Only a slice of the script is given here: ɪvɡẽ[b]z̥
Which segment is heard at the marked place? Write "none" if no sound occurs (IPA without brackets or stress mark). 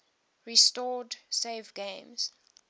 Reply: m